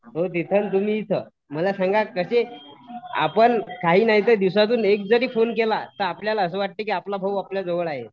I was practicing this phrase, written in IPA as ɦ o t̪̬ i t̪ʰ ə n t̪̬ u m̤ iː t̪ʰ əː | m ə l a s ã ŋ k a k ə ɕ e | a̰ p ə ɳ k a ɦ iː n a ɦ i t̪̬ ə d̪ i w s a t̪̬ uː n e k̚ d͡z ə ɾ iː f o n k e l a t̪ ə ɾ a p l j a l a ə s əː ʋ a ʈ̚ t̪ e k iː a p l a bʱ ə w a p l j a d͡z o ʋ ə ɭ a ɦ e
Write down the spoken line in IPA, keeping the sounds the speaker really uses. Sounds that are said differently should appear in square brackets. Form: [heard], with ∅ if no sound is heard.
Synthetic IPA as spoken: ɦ o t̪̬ i t̪ʰ ə n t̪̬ u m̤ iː t̪ʰ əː | m ə l a s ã ŋ [ɡ] a k ə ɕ e | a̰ p ə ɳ k a ɦ iː n a ɦ i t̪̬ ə d̪ i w s a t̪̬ uː n e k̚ d͡z ə ɾ iː f o n k e l a t̪ ə ɾ a p l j a l a ə s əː ʋ a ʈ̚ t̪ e k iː a p l a bʱ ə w a p l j a d͡z o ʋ ə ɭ a ɦ e